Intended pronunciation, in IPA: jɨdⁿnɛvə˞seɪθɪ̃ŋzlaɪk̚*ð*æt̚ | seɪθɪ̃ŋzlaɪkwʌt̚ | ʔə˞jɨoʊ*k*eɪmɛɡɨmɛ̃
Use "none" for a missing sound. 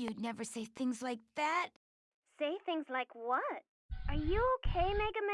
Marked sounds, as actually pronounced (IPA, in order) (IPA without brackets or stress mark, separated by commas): ð, kʰ